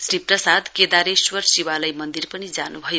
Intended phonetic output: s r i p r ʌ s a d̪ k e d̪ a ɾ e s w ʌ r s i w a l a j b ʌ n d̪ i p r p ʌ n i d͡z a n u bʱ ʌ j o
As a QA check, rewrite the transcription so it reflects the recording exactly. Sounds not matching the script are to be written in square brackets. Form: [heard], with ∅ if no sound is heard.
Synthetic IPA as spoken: s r i p r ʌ s a d̪ k e d̪ a ɾ e s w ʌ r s i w a l a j [m] ʌ n d̪ i [∅] r p ʌ n i d͡z a n u bʱ ʌ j o